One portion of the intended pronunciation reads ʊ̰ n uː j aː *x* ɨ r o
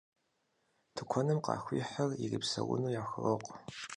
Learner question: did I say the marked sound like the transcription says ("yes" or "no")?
yes